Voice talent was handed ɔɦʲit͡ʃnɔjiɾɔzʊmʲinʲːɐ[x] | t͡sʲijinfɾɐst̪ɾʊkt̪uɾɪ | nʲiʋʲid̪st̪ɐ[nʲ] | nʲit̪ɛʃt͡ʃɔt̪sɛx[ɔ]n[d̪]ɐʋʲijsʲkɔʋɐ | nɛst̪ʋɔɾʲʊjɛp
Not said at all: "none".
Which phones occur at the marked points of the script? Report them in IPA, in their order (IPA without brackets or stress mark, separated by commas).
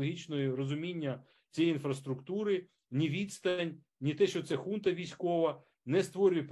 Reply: none, nʲ, u, t̪